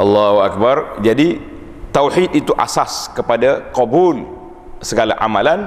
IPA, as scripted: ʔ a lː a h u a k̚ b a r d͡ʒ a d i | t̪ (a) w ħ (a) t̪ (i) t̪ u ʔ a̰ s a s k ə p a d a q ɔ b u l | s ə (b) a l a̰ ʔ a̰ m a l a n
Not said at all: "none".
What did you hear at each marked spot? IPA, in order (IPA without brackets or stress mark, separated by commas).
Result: a, i, i, ɡ